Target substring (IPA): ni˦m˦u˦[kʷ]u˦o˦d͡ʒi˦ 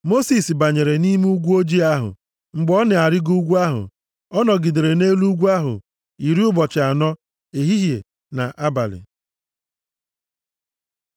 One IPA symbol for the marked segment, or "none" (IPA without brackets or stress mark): ɡʷ